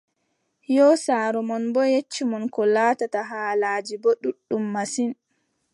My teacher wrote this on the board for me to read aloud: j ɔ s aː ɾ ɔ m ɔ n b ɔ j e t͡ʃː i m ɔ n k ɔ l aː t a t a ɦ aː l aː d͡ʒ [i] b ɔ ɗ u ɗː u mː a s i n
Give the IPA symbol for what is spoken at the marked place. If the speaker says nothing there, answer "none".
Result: i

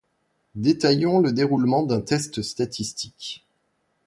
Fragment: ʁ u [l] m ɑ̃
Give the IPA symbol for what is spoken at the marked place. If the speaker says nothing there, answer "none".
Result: l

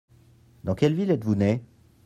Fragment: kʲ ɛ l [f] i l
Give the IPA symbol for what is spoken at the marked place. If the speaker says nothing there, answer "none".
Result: v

